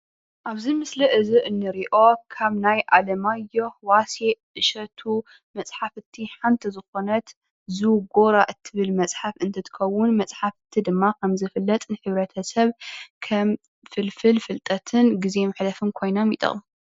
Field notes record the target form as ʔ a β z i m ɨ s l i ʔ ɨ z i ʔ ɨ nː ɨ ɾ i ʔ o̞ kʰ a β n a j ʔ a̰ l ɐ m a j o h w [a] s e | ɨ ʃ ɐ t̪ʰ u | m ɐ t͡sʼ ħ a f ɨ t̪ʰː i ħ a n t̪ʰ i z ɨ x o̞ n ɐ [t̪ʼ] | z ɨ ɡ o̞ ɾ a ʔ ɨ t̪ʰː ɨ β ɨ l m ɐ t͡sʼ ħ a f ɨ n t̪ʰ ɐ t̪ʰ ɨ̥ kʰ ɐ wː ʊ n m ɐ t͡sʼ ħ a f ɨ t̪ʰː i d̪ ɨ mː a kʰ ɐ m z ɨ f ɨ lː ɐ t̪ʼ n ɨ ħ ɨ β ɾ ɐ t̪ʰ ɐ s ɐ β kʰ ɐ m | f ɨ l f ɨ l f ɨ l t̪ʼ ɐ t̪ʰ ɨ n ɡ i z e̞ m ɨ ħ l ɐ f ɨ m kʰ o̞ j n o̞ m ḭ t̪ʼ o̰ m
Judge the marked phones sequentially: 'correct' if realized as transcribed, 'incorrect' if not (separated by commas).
correct, incorrect